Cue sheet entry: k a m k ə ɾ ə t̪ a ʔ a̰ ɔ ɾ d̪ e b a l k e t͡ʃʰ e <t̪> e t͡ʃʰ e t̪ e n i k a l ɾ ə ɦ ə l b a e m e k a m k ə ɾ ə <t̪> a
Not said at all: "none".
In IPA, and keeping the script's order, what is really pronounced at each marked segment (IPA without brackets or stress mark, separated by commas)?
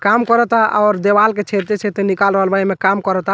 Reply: t̪, t̪